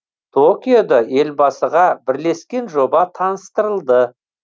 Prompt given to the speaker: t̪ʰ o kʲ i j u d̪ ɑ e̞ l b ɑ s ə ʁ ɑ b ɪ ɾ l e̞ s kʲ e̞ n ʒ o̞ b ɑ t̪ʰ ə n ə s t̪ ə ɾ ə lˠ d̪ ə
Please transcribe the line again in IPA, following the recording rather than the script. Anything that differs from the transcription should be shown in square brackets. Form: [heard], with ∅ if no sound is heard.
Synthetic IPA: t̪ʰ o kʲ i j [o] d̪ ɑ e̞ l b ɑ s ə ʁ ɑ b ɪ ɾ l e̞ s kʲ e̞ n ʒ o̞ b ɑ t̪ʰ [ɑ] n ə s t̪ ə ɾ ə lˠ d̪ ə